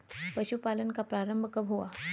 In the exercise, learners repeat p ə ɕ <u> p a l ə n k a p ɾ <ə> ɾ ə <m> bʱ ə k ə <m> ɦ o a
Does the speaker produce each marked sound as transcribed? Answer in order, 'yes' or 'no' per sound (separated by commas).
yes, no, yes, no